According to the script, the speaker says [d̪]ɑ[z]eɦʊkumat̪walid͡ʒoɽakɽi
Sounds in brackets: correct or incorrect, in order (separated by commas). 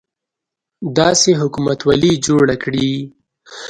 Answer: correct, incorrect